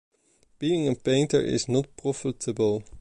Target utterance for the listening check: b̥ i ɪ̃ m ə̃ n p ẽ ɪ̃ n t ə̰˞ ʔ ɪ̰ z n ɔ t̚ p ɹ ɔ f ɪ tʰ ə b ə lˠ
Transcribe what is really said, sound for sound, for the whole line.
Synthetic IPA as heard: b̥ i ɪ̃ ŋ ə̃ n p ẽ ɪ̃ n t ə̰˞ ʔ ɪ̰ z n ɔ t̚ p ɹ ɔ f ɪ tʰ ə b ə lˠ